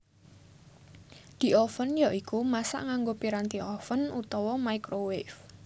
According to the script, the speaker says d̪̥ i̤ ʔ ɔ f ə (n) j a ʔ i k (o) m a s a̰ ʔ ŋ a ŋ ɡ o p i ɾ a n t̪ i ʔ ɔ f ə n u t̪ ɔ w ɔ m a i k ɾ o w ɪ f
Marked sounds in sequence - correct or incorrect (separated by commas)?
correct, incorrect